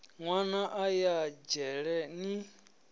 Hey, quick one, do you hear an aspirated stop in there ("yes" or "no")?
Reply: no